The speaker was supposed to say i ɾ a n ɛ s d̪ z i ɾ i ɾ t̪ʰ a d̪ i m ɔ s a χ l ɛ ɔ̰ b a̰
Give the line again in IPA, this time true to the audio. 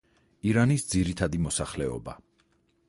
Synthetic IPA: i ɾ a n i s d̪ z i ɾ i t̪ʰ a d̪ i m ɔ s a χ l ɛ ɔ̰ b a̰